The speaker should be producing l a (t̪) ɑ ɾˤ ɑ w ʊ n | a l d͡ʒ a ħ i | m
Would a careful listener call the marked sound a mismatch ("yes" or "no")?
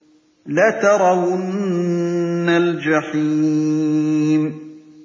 no